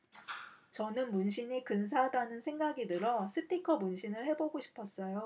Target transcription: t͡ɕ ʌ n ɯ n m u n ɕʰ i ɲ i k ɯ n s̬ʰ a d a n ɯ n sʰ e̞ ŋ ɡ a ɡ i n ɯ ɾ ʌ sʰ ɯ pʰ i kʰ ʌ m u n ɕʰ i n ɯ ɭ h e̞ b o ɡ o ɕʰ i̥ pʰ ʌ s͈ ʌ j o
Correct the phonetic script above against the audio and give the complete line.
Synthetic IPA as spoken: t͡ɕ ʌ n ɯ n m u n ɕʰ i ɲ i k ɯ n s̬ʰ a d a n ɯ n sʰ e̞ ŋ ɡ a ɡ i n ɯ ɾ ʌ sʰ ɯ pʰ i kʰ ʌ m u n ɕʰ i n ɯ ɭ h e̞ b o ɡ o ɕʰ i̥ pʰ ʌ s͈ ʌ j o